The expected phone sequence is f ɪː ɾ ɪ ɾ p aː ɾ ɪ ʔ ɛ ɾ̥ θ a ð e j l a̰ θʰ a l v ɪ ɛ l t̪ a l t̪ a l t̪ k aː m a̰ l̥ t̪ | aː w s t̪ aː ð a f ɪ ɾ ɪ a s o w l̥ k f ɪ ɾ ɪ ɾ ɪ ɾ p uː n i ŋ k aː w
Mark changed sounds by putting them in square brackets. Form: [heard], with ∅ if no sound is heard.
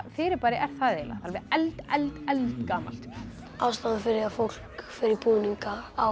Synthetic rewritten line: f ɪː ɾ ɪ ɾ p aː ɾ ɪ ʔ ɛ ɾ̥ θ a ð e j l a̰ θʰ a l v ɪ ɛ l t̪ [ɛ] l t̪ [ɛ] l t̪ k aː m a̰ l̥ t̪ | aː w s t̪ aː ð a f ɪ ɾ ɪ a [f] o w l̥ k f ɪ ɾ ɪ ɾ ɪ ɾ p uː n i ŋ k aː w